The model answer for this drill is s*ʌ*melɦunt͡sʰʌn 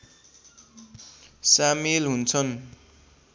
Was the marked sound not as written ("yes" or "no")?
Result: yes